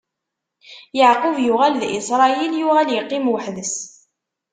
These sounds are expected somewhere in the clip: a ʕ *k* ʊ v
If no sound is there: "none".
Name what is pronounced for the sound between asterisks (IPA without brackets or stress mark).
q